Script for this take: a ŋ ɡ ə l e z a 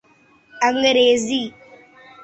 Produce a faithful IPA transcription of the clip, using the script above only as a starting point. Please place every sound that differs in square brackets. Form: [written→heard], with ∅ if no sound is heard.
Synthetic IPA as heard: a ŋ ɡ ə [l→ɾ] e z [a→i]